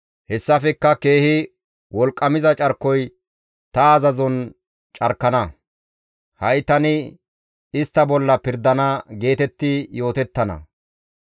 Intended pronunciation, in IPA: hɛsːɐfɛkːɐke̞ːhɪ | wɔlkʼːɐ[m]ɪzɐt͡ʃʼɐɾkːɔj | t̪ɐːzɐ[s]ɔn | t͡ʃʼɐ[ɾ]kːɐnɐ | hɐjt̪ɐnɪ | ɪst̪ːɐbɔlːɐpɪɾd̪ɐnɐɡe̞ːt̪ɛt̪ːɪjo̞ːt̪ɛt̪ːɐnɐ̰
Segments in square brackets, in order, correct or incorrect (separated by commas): correct, incorrect, correct